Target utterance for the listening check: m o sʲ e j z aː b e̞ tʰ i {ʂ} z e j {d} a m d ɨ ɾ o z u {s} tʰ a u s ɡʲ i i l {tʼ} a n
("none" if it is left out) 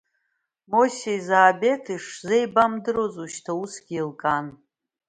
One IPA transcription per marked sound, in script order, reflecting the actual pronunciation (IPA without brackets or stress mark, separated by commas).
ʂ, b, ʃ, kʼ